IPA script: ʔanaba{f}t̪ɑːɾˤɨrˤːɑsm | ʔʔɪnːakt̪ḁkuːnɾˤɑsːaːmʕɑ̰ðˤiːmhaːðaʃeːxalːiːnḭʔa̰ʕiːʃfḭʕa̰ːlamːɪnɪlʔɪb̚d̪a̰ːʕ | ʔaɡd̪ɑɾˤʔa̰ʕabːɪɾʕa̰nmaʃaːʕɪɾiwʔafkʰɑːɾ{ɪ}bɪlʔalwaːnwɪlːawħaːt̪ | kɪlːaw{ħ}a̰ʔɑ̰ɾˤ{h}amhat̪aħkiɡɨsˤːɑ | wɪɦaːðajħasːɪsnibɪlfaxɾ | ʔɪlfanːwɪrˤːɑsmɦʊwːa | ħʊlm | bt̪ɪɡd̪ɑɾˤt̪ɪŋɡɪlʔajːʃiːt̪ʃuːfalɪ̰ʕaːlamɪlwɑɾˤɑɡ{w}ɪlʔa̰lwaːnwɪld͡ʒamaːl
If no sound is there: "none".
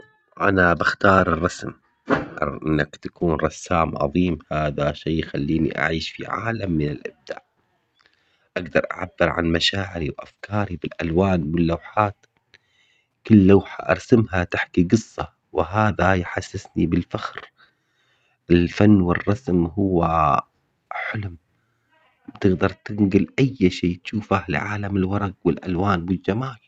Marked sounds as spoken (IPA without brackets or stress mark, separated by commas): x, i, ħ, s, w